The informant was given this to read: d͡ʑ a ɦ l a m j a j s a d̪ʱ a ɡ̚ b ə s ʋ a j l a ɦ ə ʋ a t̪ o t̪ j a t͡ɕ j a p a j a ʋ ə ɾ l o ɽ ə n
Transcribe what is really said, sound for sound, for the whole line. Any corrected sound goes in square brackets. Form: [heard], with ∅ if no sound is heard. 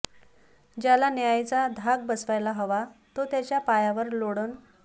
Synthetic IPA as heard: d͡ʑ a [∅] l a [n] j a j [t͡s] a d̪ʱ a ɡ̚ b ə s ʋ a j l a ɦ ə ʋ a t̪ o t̪ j a t͡ɕ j a p a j a ʋ ə ɾ l o ɽ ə n